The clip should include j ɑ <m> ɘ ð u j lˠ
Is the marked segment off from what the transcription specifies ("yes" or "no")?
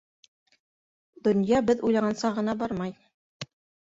yes